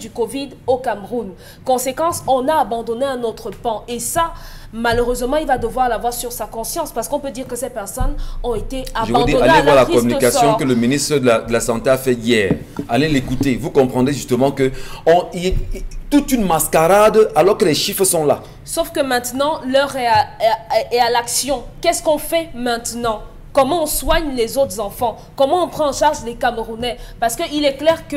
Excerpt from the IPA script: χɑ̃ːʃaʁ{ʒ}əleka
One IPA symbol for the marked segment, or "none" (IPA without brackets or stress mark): ʒ